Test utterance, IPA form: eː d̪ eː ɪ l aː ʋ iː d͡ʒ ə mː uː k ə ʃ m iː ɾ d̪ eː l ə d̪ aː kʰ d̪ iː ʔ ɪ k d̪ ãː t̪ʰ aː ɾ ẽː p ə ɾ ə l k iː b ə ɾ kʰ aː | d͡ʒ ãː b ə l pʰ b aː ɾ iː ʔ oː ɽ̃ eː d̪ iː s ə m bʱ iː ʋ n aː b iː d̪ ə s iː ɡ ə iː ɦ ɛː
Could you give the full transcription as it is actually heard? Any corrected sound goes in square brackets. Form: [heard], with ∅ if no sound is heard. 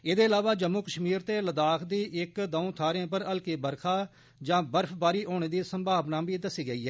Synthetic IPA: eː d̪ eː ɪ l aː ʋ [aː] d͡ʒ ə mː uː k ə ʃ m iː ɾ [t̪] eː l ə d̪ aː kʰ d̪ iː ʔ ɪ k d̪ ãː t̪ʰ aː ɾ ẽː p ə ɾ ə l k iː b ə ɾ kʰ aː | d͡ʒ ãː b ə [ɾ] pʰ b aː ɾ iː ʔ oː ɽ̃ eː d̪ iː s ə m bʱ [aː] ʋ n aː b iː d̪ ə s iː ɡ ə iː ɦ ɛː